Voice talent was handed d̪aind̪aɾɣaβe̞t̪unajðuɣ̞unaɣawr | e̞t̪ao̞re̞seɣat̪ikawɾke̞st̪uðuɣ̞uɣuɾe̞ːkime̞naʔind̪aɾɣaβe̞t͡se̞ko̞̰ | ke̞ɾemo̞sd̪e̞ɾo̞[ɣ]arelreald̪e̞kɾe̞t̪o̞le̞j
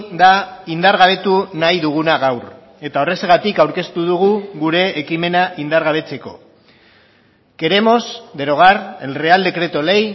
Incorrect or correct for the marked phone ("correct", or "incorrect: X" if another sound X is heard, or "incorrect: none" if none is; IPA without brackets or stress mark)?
correct